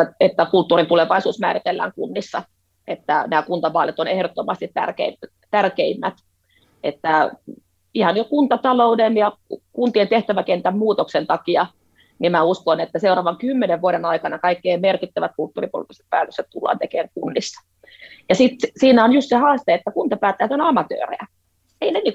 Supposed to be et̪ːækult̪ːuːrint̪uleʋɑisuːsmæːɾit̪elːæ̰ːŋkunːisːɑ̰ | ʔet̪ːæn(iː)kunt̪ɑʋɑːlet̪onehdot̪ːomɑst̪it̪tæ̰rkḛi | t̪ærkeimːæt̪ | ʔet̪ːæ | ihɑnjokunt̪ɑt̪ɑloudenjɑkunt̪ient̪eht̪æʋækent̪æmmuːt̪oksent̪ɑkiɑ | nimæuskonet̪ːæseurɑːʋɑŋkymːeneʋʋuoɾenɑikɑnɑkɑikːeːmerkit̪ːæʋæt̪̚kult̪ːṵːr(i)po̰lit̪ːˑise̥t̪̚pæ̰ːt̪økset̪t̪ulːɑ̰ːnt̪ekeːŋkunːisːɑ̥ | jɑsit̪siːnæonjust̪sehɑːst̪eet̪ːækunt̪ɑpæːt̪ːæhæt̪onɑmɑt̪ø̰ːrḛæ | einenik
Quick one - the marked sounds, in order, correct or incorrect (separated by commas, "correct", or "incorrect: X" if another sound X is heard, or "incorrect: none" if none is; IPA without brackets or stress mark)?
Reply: incorrect: æː, correct